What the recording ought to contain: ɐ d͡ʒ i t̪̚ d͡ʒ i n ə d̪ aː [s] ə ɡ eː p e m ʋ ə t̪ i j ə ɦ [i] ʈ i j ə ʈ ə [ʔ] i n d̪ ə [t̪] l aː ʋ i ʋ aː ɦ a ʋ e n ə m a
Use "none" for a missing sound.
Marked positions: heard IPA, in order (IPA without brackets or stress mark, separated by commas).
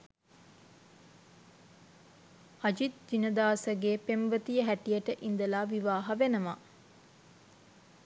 s, æ, ʔ, none